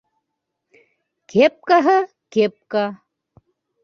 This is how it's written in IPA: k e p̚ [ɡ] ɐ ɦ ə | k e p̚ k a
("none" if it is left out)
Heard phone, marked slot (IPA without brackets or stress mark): k